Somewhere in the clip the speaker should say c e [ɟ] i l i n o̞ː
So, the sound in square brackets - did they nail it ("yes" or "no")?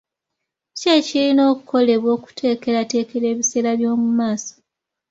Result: no